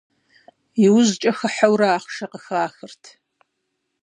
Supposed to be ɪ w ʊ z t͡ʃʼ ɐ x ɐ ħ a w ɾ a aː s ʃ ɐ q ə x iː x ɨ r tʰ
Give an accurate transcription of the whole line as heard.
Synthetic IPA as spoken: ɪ w ʊ z t͡ʃʼ ɐ x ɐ ħ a w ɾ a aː χ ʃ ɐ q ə x aː x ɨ r tʰ